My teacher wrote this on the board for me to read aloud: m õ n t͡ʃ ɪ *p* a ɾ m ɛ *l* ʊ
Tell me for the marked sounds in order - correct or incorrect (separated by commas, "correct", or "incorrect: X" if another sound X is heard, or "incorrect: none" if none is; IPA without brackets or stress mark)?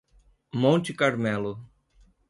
incorrect: k, correct